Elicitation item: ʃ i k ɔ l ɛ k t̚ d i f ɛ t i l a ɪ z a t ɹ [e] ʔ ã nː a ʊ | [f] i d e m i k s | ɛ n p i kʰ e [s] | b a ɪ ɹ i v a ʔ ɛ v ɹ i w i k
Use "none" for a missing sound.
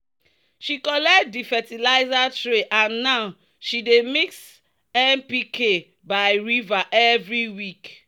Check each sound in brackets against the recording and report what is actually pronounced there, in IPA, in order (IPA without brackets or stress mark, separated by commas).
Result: e, ʃ, none